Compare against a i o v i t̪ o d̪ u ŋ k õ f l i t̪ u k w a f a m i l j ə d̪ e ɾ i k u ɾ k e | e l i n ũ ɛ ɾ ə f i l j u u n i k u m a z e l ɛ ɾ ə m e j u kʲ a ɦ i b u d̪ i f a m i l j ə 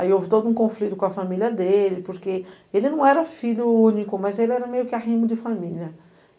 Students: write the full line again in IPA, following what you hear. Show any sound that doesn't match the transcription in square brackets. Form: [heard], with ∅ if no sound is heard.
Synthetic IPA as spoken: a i o v i t̪ o d̪ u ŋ k õ f l i t̪ u k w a f a m i l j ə d̪ e [l] i [p] u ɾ k e | e l i n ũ ɛ ɾ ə f i l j u u n i k u m a z e l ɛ ɾ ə m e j u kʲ a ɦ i [m] u d̪ i f a m i l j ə